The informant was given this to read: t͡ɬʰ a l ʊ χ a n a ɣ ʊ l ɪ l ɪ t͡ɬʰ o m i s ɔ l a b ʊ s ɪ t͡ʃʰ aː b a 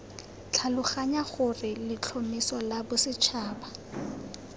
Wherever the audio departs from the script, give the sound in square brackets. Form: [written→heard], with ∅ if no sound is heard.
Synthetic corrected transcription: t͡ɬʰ a l ʊ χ a [n→ɲ] a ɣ ʊ [l→r] ɪ l ɪ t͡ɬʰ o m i s ɔ l a b ʊ s ɪ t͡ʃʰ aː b a